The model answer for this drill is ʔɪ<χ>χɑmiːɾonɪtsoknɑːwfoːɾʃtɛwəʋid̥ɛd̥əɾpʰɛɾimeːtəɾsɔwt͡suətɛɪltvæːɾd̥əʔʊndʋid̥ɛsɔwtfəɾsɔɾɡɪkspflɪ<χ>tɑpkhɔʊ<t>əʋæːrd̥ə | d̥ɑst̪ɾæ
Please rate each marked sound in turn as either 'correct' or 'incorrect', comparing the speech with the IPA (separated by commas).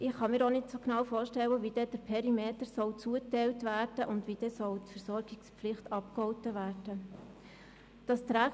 correct, correct, correct